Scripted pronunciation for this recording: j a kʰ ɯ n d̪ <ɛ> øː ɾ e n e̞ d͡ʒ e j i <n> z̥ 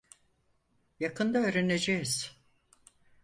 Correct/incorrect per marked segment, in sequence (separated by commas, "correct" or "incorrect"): incorrect, incorrect